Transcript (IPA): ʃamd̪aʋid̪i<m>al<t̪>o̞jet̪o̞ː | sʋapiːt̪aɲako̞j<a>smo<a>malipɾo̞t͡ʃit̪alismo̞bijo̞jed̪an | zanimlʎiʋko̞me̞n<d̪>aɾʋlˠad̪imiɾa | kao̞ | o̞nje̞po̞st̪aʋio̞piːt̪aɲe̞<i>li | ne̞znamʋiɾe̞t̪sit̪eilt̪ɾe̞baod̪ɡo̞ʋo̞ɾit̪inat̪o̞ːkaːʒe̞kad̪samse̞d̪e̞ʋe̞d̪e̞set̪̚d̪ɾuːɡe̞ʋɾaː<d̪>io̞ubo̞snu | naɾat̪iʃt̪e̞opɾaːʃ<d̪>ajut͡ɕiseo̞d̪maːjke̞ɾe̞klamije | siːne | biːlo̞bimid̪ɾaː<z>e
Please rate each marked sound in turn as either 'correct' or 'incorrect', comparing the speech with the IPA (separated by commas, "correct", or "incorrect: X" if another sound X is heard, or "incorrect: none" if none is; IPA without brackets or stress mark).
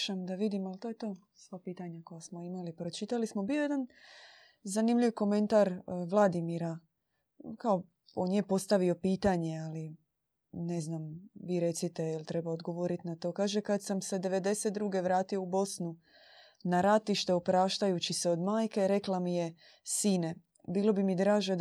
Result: correct, correct, correct, incorrect: i, incorrect: t̪, incorrect: a, incorrect: t̪, incorrect: t̪, incorrect: ʒ